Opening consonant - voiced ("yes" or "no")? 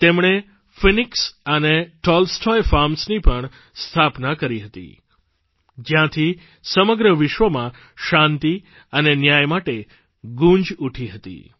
no